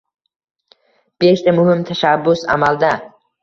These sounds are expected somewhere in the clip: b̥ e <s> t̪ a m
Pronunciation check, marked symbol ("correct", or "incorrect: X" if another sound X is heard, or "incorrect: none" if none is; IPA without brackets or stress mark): incorrect: ʃ